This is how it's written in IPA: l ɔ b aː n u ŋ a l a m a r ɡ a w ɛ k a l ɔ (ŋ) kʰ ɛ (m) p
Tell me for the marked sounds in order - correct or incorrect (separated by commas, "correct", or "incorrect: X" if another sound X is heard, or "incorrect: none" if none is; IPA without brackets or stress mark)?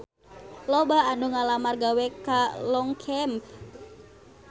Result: correct, correct